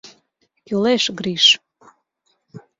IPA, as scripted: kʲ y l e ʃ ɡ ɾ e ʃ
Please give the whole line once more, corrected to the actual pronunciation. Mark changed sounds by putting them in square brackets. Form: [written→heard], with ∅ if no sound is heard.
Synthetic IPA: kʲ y l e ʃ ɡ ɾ [e→i] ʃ